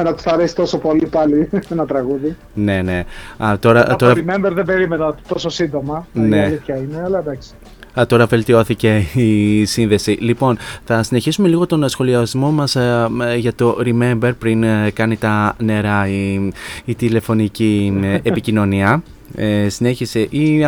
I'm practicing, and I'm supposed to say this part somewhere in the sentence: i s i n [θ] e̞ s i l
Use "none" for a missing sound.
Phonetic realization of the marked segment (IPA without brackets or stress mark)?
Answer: ð